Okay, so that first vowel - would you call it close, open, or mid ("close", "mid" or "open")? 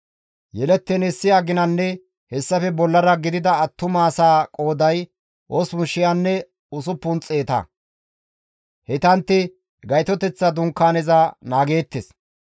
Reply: mid